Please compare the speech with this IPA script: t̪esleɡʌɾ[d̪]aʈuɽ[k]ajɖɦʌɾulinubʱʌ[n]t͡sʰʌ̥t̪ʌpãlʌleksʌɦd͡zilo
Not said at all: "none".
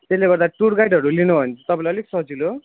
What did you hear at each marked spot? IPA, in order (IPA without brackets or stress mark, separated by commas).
d̪, ɡ, n